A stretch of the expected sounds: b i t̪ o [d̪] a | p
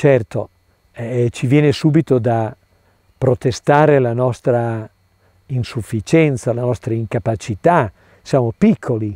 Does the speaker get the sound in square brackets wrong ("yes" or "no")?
no